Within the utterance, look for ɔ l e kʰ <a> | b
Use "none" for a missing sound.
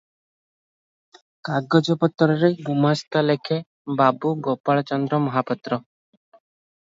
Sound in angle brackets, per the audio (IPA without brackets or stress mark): e